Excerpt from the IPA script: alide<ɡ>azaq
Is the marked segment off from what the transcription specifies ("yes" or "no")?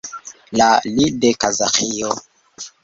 yes